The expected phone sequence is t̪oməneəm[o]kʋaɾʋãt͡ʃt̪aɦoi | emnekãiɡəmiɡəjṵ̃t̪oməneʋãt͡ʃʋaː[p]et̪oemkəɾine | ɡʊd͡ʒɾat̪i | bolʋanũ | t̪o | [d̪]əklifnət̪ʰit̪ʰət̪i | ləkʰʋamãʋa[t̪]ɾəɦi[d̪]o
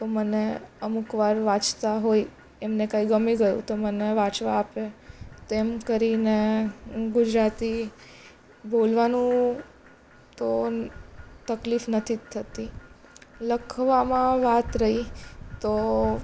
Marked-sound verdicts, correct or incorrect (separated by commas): incorrect, correct, incorrect, correct, incorrect